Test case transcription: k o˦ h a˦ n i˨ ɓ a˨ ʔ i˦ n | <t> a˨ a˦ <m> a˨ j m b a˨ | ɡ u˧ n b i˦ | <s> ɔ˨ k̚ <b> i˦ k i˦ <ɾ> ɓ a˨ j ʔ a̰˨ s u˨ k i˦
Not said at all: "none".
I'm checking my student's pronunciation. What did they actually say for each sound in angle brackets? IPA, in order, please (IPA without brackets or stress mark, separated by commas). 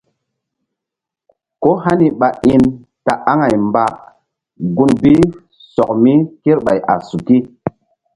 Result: t, ŋ, s, m, ɾ